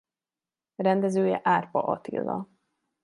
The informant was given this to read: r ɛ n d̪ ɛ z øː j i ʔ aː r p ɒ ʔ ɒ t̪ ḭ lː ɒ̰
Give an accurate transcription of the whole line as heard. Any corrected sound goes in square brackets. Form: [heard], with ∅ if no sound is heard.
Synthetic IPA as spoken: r ɛ n d̪ ɛ z øː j [ɛ] ʔ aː r p ɒ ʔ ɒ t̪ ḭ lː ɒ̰